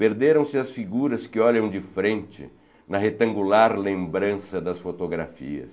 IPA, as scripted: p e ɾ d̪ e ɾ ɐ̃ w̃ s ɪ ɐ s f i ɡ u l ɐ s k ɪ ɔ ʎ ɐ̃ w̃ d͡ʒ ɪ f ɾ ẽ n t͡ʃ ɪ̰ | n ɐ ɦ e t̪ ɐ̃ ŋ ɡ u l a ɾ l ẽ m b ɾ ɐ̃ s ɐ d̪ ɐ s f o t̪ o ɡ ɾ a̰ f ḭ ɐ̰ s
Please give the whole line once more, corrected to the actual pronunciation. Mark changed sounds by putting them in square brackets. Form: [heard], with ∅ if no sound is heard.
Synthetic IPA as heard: p e ɾ d̪ e ɾ ɐ̃ w̃ s ɪ ɐ s f i ɡ u [ɾ] ɐ s k ɪ ɔ ʎ ɐ̃ w̃ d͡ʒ ɪ f ɾ ẽ n t͡ʃ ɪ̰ | n ɐ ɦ e t̪ ɐ̃ ŋ ɡ u l a ɾ l ẽ m b ɾ ɐ̃ s ɐ d̪ ɐ s f o t̪ o ɡ ɾ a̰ f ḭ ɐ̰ s